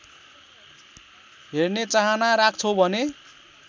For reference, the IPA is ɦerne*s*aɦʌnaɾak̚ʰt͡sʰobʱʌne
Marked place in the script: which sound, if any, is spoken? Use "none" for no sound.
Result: t͡s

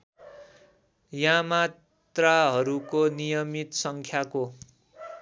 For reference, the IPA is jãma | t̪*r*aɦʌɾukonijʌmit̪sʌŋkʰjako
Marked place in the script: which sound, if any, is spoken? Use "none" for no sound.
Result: r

